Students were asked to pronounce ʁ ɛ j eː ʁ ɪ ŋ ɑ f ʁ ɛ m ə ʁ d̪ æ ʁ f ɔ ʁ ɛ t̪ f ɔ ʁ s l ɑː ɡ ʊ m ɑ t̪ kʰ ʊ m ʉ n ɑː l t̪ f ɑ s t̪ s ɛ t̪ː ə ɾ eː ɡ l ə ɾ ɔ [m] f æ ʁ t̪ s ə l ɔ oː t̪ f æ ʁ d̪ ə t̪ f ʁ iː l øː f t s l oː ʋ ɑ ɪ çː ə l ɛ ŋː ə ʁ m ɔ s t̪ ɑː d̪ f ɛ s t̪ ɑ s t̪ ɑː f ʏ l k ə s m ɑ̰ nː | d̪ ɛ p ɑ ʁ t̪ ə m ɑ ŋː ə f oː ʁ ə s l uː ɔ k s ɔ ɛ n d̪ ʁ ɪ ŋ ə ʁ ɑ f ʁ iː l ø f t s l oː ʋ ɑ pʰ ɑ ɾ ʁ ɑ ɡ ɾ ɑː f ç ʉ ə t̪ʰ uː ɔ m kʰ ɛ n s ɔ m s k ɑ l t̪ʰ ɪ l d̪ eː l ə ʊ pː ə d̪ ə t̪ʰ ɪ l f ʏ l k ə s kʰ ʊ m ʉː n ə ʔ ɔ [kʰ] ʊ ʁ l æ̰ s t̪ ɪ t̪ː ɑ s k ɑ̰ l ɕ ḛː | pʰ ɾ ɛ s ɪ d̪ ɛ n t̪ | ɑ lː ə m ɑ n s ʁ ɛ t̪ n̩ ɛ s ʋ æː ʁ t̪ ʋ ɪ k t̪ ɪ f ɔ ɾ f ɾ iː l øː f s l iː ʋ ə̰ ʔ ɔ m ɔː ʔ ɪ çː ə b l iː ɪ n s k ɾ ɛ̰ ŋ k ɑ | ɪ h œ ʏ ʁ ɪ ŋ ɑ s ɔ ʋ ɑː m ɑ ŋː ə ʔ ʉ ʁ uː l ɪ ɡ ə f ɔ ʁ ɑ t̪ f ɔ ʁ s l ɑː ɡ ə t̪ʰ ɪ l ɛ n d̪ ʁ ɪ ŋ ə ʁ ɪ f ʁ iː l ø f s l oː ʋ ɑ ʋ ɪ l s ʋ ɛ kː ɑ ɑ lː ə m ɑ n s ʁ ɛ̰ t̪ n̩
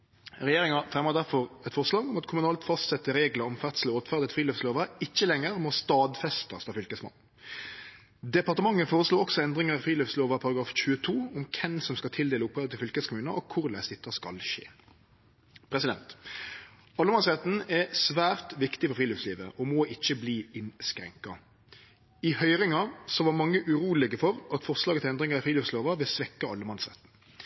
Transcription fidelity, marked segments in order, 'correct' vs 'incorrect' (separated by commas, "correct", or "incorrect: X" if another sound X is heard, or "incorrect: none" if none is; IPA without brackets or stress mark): correct, correct